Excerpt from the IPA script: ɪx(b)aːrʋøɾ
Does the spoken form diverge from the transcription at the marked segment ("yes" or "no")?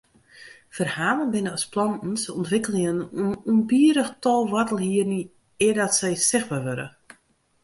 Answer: no